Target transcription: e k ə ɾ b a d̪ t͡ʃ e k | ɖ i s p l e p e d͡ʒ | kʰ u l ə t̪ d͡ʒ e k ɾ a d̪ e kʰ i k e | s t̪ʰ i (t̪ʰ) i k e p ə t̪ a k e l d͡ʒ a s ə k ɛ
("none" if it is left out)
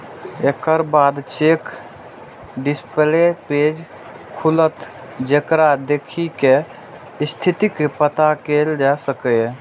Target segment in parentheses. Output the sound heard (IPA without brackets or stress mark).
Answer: t̪